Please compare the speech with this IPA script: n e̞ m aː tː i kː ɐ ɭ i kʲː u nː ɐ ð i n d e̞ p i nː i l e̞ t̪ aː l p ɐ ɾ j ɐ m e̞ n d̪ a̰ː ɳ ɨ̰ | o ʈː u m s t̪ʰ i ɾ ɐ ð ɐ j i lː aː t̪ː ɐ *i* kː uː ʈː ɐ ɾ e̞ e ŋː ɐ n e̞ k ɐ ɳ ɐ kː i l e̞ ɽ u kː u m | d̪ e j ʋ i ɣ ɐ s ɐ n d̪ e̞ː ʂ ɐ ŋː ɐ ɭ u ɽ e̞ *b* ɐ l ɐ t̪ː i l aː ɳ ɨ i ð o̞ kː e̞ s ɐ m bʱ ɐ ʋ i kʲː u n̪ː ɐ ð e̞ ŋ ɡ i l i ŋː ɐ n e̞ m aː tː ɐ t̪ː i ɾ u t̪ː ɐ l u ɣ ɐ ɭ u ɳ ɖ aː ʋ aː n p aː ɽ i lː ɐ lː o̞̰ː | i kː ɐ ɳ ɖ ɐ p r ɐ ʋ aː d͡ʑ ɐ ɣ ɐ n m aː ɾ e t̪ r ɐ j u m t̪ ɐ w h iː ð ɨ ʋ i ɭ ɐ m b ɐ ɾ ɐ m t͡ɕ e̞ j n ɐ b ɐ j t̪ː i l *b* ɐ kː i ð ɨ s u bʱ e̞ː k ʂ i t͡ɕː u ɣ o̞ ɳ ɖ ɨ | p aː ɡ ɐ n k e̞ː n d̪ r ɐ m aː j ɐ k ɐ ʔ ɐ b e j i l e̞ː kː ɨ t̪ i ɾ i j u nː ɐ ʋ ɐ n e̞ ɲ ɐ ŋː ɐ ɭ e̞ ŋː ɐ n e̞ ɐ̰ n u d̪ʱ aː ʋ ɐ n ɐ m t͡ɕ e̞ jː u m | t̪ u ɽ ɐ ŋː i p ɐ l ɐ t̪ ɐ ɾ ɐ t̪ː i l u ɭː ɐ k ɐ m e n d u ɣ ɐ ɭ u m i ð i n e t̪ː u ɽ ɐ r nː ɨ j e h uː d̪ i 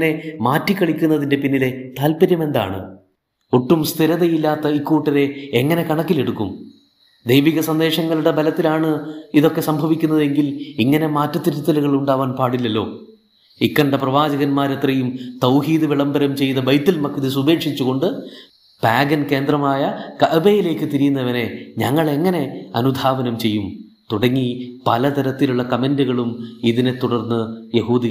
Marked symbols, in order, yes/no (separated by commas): yes, yes, no